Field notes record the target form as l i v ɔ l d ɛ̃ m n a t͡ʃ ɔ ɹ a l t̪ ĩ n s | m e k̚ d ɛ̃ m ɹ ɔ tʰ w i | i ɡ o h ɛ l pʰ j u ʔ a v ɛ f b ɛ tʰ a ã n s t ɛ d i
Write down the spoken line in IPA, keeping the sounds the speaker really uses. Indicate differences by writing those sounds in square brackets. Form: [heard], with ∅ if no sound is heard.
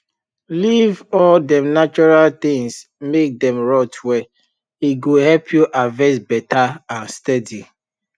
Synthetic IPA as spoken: l i v ɔ l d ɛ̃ m n a t͡ʃ ɔ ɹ a l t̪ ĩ [ŋ] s | m e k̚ d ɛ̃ m ɹ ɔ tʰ w [ɛ] | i ɡ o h ɛ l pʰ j u ʔ a v ɛ [s] b ɛ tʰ a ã n s t ɛ d i